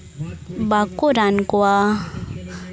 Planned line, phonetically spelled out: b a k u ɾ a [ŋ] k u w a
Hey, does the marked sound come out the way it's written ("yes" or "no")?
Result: no